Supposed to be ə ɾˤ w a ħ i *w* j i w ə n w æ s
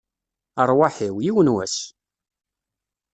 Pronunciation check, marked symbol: correct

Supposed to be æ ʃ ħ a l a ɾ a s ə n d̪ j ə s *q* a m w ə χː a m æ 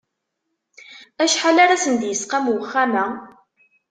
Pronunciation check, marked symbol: correct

